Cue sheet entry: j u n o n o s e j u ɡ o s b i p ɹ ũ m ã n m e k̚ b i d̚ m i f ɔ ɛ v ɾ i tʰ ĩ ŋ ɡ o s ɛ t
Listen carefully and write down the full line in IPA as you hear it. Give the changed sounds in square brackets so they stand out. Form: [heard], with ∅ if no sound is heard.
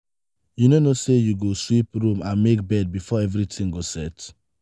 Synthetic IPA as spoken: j u n o n o s e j u ɡ o s [w] i p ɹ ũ m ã n m e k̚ b [ɛ] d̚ [b] i f ɔ ɛ v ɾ i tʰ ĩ ŋ ɡ o s ɛ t